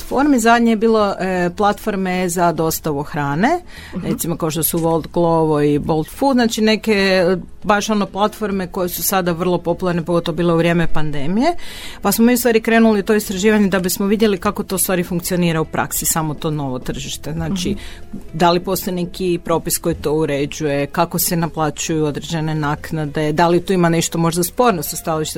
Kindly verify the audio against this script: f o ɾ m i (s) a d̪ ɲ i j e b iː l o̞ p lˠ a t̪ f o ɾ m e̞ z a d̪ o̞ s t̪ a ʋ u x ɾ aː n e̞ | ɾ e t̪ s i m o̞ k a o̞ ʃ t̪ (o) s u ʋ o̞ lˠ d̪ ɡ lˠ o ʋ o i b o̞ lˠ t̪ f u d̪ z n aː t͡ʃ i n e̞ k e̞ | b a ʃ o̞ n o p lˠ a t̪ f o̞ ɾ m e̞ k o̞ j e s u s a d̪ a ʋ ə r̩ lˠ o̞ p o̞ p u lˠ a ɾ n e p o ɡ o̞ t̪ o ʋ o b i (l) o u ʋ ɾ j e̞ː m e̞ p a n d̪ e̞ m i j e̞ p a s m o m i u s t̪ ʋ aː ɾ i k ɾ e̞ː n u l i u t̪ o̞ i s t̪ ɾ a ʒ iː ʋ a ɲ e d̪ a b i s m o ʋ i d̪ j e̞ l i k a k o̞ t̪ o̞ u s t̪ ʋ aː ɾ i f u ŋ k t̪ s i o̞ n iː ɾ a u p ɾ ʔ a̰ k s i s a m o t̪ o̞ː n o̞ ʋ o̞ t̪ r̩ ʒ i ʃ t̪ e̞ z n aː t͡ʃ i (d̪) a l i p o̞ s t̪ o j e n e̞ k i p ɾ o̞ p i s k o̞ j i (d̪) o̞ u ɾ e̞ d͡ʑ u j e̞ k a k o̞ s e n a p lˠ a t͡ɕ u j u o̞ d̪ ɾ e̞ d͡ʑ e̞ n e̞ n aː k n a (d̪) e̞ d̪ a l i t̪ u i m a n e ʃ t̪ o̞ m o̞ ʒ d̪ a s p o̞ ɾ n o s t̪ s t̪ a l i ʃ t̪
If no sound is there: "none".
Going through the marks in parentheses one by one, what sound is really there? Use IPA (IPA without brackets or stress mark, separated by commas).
z, o, l, d̪, t̪, d̪